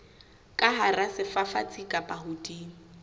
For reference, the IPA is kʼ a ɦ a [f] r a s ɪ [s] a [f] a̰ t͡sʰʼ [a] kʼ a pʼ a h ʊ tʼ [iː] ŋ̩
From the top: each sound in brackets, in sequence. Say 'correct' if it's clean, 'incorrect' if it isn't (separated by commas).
incorrect, incorrect, correct, incorrect, correct